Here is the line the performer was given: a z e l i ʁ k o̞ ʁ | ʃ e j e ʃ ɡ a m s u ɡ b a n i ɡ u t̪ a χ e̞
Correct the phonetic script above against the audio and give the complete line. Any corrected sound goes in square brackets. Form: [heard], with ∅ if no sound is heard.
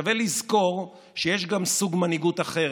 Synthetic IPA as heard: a [v] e l i [z] k o̞ ʁ | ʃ e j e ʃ ɡ a m s u ɡ [m] a n i ɡ u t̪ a χ e̞